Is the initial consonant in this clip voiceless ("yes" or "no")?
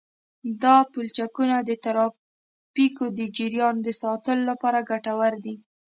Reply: no